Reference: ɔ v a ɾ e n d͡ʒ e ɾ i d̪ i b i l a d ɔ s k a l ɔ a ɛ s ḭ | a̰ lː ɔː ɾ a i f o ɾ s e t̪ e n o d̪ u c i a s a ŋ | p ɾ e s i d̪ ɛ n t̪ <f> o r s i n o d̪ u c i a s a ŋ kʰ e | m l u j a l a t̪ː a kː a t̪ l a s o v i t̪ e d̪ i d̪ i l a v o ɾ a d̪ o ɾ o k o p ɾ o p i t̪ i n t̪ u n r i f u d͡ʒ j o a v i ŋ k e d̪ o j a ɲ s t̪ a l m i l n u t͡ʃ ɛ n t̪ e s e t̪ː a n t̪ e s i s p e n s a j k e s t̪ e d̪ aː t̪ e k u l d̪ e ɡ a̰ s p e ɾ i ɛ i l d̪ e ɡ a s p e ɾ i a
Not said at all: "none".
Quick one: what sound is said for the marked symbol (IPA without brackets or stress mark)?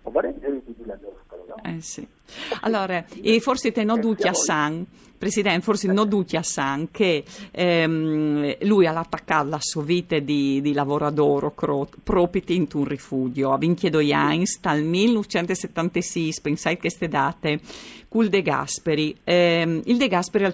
f